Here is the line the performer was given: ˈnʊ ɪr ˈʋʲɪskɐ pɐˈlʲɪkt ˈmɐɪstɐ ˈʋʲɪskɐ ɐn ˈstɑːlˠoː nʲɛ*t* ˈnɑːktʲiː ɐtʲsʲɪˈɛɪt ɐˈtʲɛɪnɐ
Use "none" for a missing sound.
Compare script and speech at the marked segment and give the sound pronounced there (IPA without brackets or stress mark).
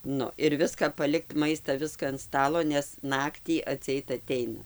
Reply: s